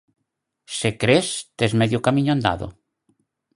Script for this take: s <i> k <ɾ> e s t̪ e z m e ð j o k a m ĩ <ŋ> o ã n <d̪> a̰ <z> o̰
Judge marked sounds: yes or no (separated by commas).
no, yes, no, yes, no